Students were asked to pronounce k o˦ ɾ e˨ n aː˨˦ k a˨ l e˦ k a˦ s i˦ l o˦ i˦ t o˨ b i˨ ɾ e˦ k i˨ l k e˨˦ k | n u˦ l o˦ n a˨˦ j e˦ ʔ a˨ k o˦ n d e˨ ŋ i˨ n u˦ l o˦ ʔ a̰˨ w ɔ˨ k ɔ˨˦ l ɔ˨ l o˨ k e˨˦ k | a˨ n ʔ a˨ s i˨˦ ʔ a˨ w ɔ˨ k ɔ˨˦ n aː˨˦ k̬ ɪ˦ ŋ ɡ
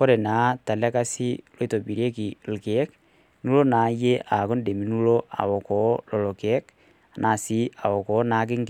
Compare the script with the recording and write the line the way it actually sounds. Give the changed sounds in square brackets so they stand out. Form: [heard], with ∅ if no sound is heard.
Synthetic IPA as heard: k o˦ ɾ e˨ n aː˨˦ [t] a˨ l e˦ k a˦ s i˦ l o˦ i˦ t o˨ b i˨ ɾ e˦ k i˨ l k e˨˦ k | n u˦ l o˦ n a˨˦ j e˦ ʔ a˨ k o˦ n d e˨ [m] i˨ n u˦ l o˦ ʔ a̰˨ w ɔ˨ k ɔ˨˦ l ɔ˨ l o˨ k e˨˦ k | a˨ n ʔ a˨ s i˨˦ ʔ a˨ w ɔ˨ k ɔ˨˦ n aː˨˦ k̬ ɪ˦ ŋ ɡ